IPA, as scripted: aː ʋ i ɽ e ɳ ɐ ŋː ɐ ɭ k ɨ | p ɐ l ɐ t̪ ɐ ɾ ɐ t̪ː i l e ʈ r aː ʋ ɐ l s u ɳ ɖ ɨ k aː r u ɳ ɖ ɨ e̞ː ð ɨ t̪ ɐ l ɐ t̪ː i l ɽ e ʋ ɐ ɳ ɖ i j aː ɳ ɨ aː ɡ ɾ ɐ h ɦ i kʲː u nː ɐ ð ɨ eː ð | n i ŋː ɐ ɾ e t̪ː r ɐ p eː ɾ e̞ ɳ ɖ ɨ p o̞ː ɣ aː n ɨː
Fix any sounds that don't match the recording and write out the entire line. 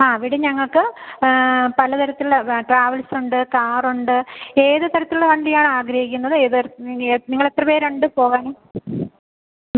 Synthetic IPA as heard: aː ʋ i ɽ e ɲ ɐ ŋː ɐ ɭ k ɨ | p ɐ l ɐ t̪ ɐ ɾ ɐ t̪ː i l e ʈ r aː ʋ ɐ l s u ɳ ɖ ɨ k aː r u ɳ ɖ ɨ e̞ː ð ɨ t̪ ɐ ɾ ɐ t̪ː i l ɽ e ʋ ɐ ɳ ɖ i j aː ɳ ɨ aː ɡ ɾ ɐ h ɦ i kʲː u nː ɐ ð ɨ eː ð | n i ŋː ɐ ɭ e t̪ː r ɐ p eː ɾ e̞ ɳ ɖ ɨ p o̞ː ɣ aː n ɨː